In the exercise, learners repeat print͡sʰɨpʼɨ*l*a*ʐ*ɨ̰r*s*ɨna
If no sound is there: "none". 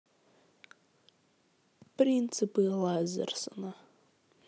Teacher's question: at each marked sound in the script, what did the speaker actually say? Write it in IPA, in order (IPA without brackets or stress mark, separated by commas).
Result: l, z, s